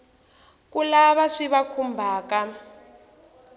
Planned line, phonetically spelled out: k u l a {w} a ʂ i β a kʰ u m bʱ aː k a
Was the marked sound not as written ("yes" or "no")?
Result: yes